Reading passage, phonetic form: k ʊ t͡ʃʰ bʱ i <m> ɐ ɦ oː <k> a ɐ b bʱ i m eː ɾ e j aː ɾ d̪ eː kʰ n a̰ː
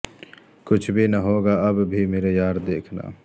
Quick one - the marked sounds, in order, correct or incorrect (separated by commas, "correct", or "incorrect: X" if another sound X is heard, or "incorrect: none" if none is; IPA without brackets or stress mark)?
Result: incorrect: n, incorrect: ɡ